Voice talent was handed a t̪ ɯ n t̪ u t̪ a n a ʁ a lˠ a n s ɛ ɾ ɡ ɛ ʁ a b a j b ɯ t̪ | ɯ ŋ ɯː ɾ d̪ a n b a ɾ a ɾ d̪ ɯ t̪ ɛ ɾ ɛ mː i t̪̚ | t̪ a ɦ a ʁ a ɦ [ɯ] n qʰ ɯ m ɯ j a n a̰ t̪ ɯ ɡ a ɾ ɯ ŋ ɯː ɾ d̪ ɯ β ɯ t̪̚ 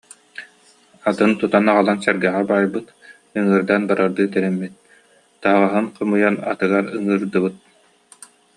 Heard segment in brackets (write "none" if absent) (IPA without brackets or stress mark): ɯ